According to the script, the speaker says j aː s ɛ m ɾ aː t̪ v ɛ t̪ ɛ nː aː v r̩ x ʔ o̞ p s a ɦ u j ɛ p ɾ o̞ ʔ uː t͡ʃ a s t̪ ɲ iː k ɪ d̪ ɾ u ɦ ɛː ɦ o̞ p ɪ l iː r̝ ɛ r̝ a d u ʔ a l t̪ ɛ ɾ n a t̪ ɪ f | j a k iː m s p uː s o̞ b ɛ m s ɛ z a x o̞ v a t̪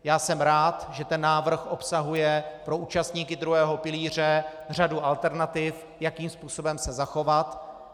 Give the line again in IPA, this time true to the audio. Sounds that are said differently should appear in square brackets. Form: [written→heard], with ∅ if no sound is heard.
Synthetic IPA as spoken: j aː s ɛ m ɾ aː t̪ [v→ʒ] ɛ t̪ ɛ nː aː v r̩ x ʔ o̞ p s a ɦ u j ɛ p ɾ o̞ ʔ uː t͡ʃ a s t̪ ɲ iː k ɪ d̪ ɾ u ɦ ɛː ɦ o̞ p ɪ l iː r̝ ɛ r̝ a d u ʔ a l t̪ ɛ ɾ n a t̪ ɪ f | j a k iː m s p uː s o̞ b ɛ m s ɛ z a x o̞ v a t̪

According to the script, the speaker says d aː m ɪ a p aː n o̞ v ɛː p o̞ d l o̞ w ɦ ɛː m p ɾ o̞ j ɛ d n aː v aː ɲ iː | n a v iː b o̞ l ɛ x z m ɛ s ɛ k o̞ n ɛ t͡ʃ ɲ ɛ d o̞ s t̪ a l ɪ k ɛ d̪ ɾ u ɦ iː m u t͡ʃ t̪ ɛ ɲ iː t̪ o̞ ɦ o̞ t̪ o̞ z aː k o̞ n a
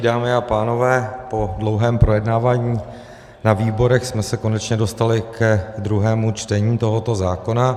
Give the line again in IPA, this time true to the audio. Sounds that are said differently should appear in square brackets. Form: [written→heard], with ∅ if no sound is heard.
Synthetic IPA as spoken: d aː m ɪ a p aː n o̞ v ɛː p o̞ d l o̞ w ɦ ɛː m p ɾ o̞ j ɛ d n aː v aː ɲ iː | n a v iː b o̞ [l→ɾ] ɛ x [z→s] m ɛ s ɛ k o̞ n ɛ t͡ʃ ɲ ɛ d o̞ s t̪ a l ɪ k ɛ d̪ ɾ u ɦ [iː→ɛː] m u t͡ʃ t̪ ɛ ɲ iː t̪ o̞ ɦ o̞ t̪ o̞ z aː k o̞ n a

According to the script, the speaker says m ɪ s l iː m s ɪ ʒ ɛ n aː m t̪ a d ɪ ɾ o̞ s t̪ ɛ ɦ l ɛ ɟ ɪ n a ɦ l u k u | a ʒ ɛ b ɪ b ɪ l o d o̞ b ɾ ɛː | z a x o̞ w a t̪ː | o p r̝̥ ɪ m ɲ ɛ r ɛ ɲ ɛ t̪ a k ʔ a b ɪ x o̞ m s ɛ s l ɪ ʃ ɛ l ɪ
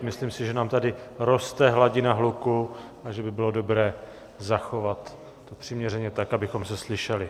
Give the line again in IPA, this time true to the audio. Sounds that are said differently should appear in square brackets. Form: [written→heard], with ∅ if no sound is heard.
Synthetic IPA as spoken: m ɪ s l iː m s ɪ ʒ ɛ n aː m t̪ a d ɪ ɾ o̞ s t̪ ɛ ɦ l [ɛ→a] ɟ ɪ n a ɦ l u k u | a ʒ ɛ b ɪ b ɪ l o d o̞ b ɾ ɛː | z a x o̞ [w→v] a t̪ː | o p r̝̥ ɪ m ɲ ɛ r ɛ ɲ ɛ t̪ a k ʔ a b ɪ x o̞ m s ɛ s l ɪ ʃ ɛ l ɪ

